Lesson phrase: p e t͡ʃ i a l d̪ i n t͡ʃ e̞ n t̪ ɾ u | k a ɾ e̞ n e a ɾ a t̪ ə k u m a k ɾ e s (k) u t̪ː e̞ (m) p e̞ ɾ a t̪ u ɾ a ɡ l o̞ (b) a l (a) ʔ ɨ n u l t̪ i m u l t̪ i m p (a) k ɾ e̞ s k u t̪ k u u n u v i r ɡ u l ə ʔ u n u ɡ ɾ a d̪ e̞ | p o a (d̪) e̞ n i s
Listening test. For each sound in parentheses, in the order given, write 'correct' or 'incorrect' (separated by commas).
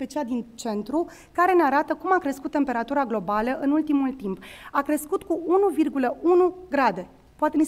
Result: correct, correct, correct, incorrect, correct, incorrect